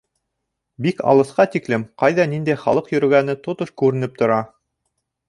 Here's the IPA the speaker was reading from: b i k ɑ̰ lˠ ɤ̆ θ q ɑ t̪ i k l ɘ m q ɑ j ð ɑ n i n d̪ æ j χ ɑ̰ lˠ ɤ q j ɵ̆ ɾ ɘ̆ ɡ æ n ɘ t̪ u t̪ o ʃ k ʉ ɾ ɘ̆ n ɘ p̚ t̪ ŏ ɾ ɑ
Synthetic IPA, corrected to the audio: b i k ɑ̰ lˠ ɤ̆ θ q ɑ t̪ i k l ɘ m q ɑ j ð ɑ n i n d̪ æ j χ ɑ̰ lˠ ɤ q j ɵ̆ ɾ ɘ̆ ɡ æ n ɘ t̪ o t̪ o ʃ k ʉ ɾ ɘ̆ n ɘ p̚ t̪ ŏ ɾ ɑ